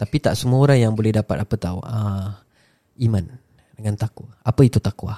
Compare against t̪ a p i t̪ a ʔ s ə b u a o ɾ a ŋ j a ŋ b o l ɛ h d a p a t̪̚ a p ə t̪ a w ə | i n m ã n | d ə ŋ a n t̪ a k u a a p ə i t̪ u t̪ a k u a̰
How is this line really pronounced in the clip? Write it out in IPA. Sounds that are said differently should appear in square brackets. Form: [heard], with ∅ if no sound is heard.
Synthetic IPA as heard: t̪ a p i t̪ a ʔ s ə [m] u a o ɾ a ŋ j a ŋ b o l ɛ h d a p a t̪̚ a p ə t̪ a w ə | i [∅] m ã n | d ə ŋ a n t̪ a k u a a p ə i t̪ u t̪ a k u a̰